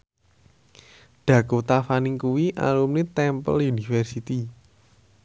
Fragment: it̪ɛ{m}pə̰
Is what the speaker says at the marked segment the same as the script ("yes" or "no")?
yes